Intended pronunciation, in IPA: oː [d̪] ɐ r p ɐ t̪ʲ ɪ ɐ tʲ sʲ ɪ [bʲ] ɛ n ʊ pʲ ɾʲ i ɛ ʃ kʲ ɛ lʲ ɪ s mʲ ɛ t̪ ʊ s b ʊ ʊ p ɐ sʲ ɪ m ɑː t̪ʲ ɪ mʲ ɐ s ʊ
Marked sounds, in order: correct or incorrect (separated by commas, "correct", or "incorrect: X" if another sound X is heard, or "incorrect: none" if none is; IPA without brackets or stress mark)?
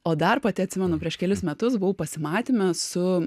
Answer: correct, incorrect: mʲ